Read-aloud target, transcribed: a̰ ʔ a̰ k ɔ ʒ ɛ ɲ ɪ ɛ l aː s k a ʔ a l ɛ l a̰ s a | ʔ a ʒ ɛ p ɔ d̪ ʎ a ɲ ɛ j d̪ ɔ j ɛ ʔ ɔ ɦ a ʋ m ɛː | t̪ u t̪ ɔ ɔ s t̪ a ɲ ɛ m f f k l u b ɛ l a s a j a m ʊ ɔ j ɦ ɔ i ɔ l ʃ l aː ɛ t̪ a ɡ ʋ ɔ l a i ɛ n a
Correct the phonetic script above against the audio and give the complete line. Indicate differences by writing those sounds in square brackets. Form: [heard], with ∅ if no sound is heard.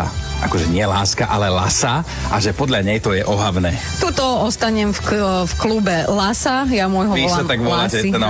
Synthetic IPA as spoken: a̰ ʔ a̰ k ɔ ʒ ɛ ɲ ɪ ɛ l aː s k a ʔ a l ɛ l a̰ s a | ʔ a ʒ ɛ p ɔ d̪ ʎ a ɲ ɛ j [t̪] ɔ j ɛ ʔ ɔ ɦ a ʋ [n] ɛː | t̪ u t̪ ɔ ɔ s t̪ a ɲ ɛ m f f k l u b ɛ l a s a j a m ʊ ɔ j ɦ ɔ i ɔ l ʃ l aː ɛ t̪ a ɡ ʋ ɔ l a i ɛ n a